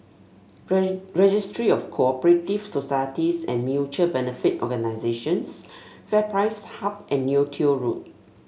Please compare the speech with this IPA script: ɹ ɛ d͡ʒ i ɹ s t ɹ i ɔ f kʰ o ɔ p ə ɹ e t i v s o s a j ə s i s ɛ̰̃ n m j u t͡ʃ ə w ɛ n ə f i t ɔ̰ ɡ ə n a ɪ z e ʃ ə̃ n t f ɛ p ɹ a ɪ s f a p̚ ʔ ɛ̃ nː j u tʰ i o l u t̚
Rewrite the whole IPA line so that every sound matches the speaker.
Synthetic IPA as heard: ɹ ɛ d͡ʒ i s t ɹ i ɔ f kʰ o ɔ p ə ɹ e t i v s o s a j ə t i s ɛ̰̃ n m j u t͡ʃ ə b ɛ n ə f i t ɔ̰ ɡ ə n a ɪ z e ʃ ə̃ n s f ɛ p ɹ a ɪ s h a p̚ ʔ ɛ̃ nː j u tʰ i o ɹ u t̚